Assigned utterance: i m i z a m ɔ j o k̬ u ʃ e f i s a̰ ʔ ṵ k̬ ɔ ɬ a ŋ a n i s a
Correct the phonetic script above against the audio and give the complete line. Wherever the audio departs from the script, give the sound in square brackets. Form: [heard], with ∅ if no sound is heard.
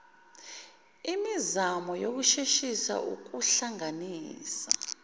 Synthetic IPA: i m i z a m ɔ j o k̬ u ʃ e [ʃ] i s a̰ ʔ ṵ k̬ [u] ɬ a ŋ a n [iː] s a